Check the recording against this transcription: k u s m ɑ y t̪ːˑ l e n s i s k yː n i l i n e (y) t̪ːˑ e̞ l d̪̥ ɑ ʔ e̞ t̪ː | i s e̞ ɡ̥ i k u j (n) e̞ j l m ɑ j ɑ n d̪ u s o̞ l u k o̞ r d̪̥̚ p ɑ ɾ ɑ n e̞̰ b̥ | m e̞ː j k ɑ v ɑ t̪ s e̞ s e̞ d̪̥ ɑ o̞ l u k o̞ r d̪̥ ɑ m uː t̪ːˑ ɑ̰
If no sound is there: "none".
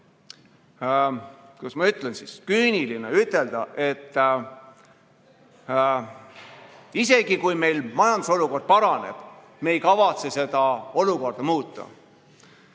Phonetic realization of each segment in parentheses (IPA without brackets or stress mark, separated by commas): y, m